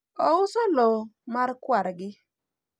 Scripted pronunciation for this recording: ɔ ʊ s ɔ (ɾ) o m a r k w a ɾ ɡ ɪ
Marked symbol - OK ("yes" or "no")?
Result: no